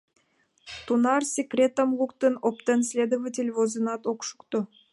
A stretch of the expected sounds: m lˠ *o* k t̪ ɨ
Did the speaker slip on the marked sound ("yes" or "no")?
yes